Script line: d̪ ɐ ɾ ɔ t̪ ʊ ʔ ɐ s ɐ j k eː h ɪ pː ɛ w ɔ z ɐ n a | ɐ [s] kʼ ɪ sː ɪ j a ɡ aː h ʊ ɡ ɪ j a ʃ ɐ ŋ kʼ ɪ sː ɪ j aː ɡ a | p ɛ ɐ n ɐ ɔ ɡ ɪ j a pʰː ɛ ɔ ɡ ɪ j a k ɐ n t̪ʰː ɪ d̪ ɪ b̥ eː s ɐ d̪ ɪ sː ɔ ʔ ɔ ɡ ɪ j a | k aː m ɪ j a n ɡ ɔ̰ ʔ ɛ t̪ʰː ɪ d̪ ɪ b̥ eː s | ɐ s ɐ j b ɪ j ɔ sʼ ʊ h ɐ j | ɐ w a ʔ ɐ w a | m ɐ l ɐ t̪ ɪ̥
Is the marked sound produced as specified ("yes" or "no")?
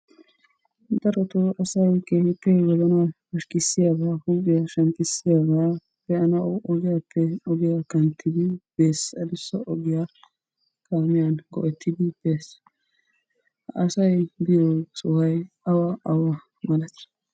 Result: no